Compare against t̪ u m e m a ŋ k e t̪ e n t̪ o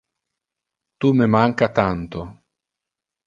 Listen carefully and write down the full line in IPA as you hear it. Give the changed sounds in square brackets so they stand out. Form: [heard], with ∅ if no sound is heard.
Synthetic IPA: t̪ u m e m a ŋ k [a] t̪ [a] n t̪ o